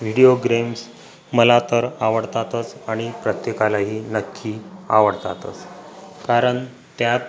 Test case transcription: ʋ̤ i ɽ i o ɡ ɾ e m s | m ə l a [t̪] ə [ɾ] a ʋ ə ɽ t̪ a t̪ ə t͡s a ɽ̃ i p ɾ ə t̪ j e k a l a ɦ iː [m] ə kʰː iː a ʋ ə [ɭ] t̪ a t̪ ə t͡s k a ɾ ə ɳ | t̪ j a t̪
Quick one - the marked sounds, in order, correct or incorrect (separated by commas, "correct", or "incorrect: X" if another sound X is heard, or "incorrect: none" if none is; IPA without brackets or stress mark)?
correct, correct, incorrect: n, incorrect: ɽ